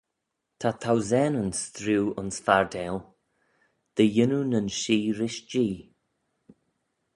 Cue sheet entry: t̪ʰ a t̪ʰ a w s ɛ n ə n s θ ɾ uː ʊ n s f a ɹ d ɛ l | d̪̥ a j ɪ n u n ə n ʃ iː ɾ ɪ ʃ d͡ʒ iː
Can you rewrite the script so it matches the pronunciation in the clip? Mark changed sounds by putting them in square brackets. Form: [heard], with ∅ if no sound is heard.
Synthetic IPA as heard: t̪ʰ a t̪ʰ a w [z] ɛ n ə n s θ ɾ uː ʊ n s f a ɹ d ɛ l | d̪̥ [ə] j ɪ n u n ə n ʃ iː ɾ ɪ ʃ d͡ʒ iː